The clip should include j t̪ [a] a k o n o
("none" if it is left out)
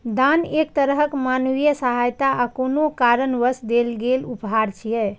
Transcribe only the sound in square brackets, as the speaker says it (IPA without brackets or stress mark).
a